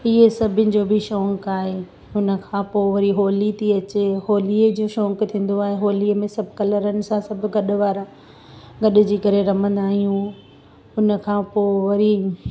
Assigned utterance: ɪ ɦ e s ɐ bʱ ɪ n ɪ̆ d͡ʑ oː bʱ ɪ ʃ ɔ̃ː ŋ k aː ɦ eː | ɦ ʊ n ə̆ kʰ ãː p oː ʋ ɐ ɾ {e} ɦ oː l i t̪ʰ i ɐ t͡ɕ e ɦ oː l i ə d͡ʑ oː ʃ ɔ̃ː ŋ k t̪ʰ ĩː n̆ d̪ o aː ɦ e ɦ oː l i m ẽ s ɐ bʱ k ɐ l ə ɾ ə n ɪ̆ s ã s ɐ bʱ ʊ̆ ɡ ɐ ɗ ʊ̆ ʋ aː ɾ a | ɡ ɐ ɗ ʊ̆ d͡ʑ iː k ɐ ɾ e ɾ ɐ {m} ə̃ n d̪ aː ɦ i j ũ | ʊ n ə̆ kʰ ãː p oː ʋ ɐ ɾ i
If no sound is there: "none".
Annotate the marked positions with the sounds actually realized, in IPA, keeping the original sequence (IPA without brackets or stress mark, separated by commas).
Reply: i, m